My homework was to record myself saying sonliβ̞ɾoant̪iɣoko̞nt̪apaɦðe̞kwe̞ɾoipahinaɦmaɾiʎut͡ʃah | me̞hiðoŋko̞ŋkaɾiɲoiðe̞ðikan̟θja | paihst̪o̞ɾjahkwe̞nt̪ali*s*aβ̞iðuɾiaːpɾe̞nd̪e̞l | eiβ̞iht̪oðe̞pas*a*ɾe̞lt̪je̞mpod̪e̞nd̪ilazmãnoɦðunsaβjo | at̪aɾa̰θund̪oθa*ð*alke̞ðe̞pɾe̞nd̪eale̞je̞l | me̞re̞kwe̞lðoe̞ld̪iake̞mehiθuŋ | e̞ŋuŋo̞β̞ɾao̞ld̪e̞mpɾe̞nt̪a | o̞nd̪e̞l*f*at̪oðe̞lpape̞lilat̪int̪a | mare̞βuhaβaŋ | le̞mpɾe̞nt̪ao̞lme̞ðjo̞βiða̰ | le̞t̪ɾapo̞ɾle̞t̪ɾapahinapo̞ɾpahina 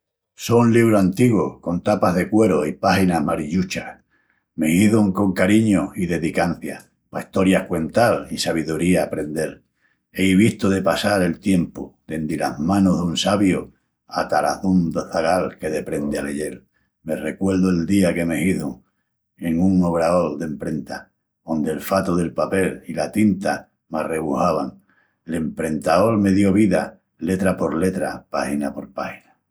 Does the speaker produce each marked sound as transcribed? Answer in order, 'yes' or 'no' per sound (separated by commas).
yes, yes, no, yes